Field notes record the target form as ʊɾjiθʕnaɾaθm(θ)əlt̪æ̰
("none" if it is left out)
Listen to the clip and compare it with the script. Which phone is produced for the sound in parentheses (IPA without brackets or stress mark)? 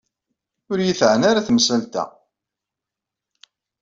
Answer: s